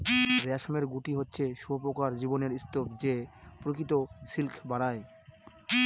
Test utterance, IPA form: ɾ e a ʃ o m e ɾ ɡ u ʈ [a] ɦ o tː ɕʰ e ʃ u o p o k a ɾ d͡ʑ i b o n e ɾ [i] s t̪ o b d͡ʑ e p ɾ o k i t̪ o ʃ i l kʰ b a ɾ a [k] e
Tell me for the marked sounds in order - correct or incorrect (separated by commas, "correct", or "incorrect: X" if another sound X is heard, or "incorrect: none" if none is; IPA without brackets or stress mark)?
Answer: incorrect: i, correct, incorrect: none